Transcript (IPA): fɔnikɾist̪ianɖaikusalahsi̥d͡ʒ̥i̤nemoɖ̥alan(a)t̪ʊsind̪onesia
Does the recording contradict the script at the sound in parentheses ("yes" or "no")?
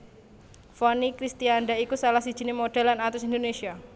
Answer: no